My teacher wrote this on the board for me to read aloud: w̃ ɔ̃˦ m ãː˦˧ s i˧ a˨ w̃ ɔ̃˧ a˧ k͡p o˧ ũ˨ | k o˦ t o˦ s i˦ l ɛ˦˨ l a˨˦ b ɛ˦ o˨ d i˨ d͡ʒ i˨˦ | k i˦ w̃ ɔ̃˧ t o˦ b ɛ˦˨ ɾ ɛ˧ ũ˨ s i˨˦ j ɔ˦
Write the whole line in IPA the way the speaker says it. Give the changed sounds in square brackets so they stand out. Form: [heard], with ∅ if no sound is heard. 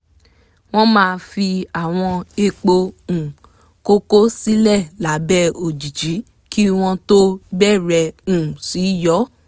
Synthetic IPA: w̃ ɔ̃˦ m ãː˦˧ [f] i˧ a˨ w̃ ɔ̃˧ [e˧] k͡p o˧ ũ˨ | k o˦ [k] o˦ s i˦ l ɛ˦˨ l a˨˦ b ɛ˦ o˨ [d͡ʒ] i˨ d͡ʒ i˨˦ | k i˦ w̃ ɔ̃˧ t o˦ b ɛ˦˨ ɾ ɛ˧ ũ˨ s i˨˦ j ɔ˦